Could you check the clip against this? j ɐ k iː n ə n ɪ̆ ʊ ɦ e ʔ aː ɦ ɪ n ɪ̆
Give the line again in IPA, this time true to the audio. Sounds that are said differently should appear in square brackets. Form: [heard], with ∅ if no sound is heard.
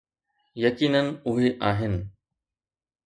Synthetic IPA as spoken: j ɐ k iː n ə n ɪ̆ ʊ ɦ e ʔ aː ɦ ɪ n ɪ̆